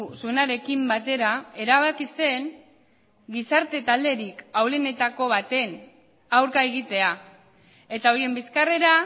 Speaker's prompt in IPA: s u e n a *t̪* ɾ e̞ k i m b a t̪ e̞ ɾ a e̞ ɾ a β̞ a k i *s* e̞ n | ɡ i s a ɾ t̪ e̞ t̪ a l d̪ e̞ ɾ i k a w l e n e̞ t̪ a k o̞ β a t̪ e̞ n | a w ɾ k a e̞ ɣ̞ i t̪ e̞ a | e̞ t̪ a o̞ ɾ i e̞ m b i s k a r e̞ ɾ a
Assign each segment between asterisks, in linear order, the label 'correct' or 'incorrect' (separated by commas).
incorrect, correct